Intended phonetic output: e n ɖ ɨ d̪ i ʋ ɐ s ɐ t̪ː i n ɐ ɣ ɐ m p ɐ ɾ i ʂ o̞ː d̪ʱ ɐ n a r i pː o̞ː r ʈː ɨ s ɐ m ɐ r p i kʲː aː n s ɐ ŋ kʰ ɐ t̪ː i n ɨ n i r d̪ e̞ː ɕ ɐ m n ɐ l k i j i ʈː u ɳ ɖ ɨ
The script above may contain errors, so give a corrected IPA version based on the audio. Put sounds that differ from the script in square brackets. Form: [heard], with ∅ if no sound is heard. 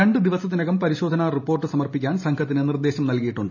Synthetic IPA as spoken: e [ɳ] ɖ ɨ d̪ i ʋ ɐ s ɐ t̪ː i n ɐ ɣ ɐ m p ɐ ɾ i [ɕ] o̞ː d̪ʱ ɐ n a r i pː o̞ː r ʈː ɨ s ɐ m ɐ r p i kʲː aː n s ɐ ŋ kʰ ɐ t̪ː i n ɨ n i r d̪ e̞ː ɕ ɐ m n ɐ l k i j i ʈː u ɳ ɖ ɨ